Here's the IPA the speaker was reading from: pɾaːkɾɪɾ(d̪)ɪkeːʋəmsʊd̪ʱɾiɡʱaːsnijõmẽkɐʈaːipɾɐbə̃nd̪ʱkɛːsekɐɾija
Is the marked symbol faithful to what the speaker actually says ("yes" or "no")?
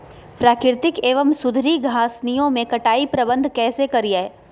no